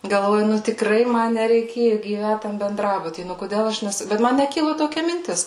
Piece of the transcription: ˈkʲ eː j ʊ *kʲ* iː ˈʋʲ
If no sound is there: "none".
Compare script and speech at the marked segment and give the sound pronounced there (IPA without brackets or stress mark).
ɡʲ